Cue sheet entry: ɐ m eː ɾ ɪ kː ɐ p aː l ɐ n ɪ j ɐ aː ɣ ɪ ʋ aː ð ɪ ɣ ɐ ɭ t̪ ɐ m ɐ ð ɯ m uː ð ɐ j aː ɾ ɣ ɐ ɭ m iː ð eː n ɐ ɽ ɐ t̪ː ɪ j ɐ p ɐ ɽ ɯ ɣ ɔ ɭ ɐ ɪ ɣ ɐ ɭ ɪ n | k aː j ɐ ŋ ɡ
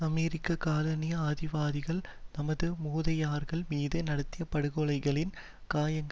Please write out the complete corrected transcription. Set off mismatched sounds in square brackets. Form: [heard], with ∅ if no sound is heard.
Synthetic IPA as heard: ɐ m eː ɾ ɪ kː ɐ [k] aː l ɐ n ɪ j ɐ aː [ð] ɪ ʋ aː ð ɪ ɣ ɐ ɭ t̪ ɐ m ɐ ð ɯ m uː ð ɐ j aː ɾ ɣ ɐ ɭ m iː ð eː n ɐ ɽ ɐ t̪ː ɪ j ɐ p ɐ ɽ ɯ ɣ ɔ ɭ ɐ ɪ ɣ ɐ ɭ ɪ n | k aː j ɐ ŋ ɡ